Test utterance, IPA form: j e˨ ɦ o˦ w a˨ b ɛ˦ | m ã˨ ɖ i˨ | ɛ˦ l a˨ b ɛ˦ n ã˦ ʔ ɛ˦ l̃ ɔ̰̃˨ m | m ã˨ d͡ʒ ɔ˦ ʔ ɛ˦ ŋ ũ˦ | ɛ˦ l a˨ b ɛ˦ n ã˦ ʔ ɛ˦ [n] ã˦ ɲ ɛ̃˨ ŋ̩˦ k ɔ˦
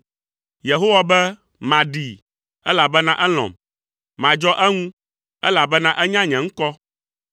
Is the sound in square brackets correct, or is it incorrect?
incorrect